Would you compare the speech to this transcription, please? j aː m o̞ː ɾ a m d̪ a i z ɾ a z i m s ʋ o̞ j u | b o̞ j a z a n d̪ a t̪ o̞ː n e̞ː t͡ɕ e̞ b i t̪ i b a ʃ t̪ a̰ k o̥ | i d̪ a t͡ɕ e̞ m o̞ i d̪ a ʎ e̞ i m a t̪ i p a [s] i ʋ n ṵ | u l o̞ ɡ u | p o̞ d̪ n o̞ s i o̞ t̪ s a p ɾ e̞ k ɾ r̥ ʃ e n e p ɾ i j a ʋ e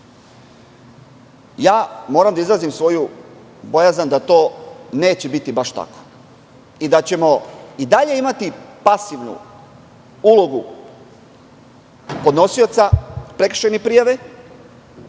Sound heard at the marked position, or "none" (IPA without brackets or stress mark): s